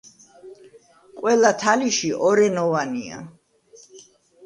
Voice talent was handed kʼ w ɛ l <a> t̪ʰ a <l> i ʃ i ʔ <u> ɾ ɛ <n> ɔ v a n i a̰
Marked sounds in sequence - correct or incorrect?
correct, correct, incorrect, correct

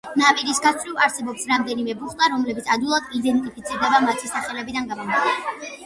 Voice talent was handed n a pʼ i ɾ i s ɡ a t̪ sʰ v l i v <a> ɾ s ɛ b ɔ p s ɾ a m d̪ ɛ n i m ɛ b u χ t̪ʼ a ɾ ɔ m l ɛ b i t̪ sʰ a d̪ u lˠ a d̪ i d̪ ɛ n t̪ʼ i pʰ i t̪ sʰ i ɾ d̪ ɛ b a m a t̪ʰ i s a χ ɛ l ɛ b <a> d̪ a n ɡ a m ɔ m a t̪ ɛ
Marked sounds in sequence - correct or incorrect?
correct, incorrect

